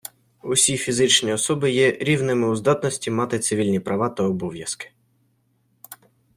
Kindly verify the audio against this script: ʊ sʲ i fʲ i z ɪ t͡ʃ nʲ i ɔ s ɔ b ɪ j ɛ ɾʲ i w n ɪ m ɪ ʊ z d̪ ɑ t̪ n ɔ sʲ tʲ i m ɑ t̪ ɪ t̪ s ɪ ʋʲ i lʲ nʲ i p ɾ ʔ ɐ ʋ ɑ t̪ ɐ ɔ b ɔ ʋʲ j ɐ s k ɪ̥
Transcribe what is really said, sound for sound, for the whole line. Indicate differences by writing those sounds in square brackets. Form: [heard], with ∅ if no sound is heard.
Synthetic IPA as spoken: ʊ sʲ i fʲ i z ɪ t͡ʃ nʲ i ɔ s ɔ b ɪ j ɛ ɾʲ i w n ɪ m ɪ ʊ z d̪ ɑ t̪ n ɔ sʲ tʲ i m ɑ t̪ ɪ t̪ s ɪ ʋʲ i lʲ nʲ i p ɾ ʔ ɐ ʋ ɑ t̪ ɐ ɔ b ɔ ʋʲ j ɐ s k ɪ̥

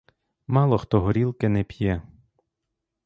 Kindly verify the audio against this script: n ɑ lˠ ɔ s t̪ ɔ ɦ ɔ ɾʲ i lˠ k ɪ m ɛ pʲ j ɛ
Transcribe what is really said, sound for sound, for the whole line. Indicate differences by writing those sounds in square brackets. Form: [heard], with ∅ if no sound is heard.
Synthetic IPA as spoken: [m] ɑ lˠ ɔ [x] t̪ ɔ ɦ ɔ ɾʲ i lˠ k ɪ [n] ɛ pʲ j ɛ

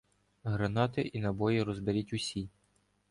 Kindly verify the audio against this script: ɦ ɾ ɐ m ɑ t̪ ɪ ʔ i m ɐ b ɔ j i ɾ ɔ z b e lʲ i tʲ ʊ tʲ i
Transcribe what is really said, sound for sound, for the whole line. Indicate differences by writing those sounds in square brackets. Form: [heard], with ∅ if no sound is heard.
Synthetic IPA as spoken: ɦ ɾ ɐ [n] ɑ t̪ ɪ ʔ i [n] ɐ b ɔ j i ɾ ɔ z b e [ɾʲ] i tʲ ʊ [sʲ] i

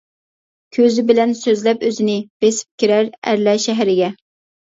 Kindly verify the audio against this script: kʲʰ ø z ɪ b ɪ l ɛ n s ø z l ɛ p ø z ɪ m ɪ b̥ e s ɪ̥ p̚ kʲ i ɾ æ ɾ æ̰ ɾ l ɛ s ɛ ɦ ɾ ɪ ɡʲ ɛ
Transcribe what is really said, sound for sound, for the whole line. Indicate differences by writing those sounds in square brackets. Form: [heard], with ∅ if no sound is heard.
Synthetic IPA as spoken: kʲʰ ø z ɪ b ɪ l ɛ n s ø z l ɛ p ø z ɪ [n] ɪ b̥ e s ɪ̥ p̚ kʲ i ɾ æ ɾ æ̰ ɾ l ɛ [ʃ] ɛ ɦ ɾ ɪ ɡʲ ɛ

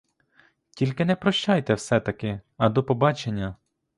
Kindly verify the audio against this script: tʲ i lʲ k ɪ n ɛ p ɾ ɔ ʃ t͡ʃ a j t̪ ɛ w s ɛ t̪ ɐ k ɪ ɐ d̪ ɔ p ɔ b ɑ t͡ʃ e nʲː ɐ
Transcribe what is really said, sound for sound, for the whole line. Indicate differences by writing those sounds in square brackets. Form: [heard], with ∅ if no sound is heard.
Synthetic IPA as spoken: tʲ i lʲ k ɪ n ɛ p ɾ ɔ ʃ t͡ʃ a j t̪ ɛ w s ɛ t̪ ɐ k ɪ ɐ d̪ ɔ p ɔ b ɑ t͡ʃ e nʲː ɐ

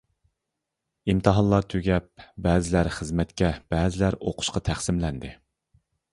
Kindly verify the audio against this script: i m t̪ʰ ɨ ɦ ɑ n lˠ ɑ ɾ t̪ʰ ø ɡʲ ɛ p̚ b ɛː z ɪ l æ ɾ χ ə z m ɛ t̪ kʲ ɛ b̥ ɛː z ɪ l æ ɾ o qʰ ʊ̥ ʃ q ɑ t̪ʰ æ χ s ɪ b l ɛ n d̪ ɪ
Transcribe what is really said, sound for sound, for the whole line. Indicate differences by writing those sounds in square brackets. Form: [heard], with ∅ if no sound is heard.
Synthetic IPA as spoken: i m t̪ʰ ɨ ɦ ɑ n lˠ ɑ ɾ t̪ʰ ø ɡʲ ɛ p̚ b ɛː z ɪ l æ ɾ χ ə z m ɛ t̪ kʲ ɛ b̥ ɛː z ɪ l æ ɾ o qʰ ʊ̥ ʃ q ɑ t̪ʰ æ χ s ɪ [m] l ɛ n d̪ ɪ

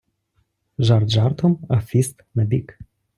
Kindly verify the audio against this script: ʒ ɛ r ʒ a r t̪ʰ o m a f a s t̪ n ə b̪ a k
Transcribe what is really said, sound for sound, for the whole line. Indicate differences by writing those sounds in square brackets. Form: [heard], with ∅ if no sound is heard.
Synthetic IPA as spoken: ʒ [a] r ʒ a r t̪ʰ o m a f [i] s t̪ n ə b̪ [i] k

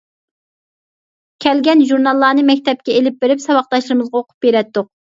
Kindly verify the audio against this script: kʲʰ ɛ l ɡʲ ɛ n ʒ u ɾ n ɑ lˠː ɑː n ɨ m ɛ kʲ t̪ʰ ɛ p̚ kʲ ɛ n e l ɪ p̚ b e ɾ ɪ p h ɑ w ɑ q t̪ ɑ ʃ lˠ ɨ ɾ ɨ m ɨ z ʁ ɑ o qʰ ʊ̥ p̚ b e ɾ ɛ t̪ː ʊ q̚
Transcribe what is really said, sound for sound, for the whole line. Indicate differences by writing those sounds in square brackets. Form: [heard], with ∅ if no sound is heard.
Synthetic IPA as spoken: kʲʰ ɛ l ɡʲ ɛ n ʒ u ɾ n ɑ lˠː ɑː n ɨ m ɛ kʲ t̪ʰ ɛ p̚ kʲ ɛ [∅] e l ɪ p̚ b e ɾ ɪ p [s] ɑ w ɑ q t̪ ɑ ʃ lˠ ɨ ɾ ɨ m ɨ z ʁ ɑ o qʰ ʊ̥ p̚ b e ɾ ɛ t̪ː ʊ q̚

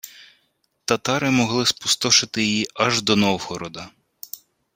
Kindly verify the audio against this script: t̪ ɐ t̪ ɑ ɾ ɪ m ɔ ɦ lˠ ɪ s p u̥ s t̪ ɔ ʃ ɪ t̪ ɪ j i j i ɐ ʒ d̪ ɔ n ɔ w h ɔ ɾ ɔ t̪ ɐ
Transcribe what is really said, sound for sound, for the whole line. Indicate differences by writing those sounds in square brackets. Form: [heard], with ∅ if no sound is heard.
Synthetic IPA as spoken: t̪ ɐ t̪ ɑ ɾ ɪ m ɔ ɦ lˠ ɪ s p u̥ s t̪ ɔ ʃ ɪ t̪ ɪ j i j i ɐ ʒ d̪ ɔ n ɔ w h ɔ ɾ ɔ [d̪] ɐ

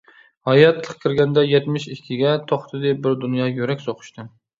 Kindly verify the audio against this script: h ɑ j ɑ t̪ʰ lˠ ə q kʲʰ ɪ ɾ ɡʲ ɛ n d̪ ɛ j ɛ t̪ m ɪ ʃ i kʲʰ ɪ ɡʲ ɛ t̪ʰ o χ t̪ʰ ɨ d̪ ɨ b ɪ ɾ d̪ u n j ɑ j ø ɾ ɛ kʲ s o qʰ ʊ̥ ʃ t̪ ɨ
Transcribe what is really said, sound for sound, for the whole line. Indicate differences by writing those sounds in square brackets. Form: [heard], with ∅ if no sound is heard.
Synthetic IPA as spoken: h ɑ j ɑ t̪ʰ lˠ ə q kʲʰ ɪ ɾ ɡʲ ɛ n d̪ ɛ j ɛ t̪ m ɪ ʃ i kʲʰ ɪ ɡʲ ɛ t̪ʰ o χ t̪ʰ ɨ d̪ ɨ b ɪ ɾ d̪ u n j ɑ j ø ɾ ɛ kʲ s o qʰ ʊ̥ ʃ t̪ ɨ

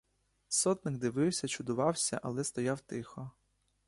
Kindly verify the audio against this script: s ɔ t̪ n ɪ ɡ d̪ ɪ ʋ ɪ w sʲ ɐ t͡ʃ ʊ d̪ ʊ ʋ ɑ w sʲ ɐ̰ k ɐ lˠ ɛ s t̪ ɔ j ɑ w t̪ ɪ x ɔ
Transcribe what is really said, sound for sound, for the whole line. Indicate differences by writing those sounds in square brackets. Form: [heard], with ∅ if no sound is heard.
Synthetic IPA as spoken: s ɔ t̪ n ɪ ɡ d̪ ɪ ʋ ɪ w sʲ ɐ t͡ʃ ʊ d̪ ʊ ʋ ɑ w sʲ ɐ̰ [ʔ] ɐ lˠ ɛ s t̪ ɔ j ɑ w t̪ ɪ x ɔ

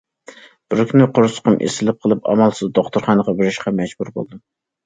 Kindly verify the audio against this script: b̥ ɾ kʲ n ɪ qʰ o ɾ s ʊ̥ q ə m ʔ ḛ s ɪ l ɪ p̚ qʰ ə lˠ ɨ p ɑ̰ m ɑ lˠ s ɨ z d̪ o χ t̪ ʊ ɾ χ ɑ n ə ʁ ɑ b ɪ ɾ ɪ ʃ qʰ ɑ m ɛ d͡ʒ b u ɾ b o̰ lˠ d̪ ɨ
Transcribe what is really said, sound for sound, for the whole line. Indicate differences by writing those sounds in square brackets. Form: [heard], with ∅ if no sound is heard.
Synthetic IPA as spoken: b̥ ɾ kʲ n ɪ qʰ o ɾ s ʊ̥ q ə m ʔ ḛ s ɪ l ɪ p̚ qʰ ə lˠ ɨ p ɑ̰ m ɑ lˠ s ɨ z d̪ o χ t̪ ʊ ɾ χ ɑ n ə ʁ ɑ b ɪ ɾ ɪ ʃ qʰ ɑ m ɛ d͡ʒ b u ɾ b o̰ lˠ d̪ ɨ

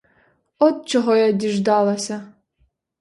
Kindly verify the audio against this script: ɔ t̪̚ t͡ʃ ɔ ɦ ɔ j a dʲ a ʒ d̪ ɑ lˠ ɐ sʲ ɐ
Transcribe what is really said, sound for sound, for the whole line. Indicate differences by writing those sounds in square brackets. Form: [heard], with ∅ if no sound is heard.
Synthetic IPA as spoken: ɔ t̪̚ t͡ʃ ɔ ɦ ɔ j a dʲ [i] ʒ d̪ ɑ lˠ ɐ sʲ ɐ

